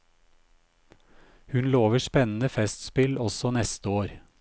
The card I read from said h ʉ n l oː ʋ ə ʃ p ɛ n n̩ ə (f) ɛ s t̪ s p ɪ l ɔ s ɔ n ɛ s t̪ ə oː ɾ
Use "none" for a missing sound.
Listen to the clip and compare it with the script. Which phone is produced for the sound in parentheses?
f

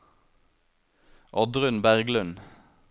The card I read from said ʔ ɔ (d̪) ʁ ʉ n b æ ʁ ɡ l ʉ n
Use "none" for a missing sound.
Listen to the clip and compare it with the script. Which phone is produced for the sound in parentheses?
d̪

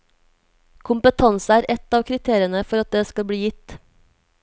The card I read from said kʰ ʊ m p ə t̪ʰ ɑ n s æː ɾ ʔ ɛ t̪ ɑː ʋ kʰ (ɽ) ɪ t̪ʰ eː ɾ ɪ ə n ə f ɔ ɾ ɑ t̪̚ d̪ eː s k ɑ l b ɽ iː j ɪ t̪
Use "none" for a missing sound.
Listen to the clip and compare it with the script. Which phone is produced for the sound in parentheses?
ɾ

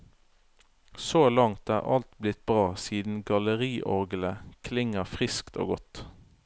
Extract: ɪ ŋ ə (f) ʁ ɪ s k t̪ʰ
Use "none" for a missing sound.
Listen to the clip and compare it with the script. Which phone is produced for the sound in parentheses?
f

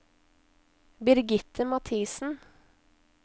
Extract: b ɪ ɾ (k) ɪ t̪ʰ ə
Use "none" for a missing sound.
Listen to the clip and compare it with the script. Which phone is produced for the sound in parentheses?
ɡ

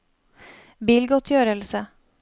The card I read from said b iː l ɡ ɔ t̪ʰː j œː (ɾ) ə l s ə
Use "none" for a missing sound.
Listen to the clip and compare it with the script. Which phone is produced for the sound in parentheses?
ɾ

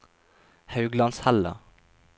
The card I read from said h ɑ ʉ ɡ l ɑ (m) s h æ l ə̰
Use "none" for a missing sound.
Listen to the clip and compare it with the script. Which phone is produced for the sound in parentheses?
n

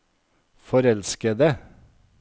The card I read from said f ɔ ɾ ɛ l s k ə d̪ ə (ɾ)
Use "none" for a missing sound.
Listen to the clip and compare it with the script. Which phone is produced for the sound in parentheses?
none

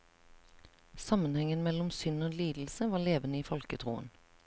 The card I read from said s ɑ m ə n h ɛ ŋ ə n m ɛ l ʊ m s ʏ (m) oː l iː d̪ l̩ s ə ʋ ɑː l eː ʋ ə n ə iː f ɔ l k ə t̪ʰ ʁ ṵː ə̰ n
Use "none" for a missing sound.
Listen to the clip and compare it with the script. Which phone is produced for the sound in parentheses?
n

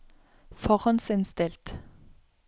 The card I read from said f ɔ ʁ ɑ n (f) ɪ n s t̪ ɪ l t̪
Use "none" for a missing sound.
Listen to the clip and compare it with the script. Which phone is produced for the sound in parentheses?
s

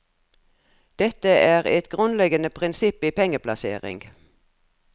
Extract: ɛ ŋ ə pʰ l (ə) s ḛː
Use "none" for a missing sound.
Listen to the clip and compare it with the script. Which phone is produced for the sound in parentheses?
ɑ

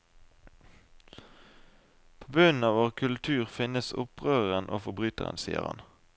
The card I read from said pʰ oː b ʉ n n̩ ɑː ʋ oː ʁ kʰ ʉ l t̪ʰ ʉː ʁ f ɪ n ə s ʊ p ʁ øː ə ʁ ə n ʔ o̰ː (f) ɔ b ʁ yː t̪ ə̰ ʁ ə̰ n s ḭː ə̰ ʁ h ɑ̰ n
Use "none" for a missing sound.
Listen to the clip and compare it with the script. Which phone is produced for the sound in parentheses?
f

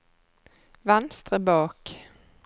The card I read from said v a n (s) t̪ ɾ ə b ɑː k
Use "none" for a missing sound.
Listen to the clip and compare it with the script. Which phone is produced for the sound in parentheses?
s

